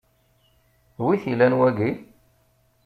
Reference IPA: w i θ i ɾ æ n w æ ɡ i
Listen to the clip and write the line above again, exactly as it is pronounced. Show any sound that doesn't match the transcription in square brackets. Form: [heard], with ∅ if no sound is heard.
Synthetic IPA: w i θ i [l] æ n w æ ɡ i